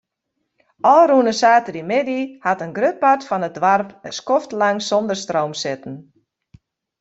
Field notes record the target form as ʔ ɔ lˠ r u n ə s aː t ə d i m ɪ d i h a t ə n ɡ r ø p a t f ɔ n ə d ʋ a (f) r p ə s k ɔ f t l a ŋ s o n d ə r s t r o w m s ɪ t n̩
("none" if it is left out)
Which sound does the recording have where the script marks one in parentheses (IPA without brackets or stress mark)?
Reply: none